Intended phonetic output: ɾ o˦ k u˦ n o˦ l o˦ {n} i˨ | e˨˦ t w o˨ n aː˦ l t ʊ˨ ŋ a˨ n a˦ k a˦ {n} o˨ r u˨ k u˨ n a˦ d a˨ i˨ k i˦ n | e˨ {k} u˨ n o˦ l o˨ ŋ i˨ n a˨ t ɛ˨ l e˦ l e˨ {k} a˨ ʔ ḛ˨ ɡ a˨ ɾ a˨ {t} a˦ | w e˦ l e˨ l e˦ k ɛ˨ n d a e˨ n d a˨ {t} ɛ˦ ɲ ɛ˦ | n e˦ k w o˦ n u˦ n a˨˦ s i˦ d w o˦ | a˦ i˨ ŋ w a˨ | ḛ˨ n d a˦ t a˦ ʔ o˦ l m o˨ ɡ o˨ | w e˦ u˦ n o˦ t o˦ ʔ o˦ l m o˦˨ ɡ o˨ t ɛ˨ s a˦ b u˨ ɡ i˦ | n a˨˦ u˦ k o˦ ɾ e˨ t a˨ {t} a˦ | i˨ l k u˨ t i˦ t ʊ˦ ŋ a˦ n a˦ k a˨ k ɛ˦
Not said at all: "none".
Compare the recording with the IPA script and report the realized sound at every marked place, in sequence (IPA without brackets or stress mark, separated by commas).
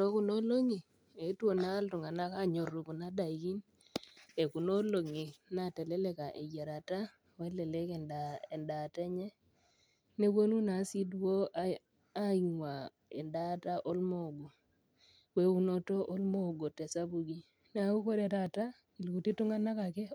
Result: ŋ, ɲ, k, k, t, t, t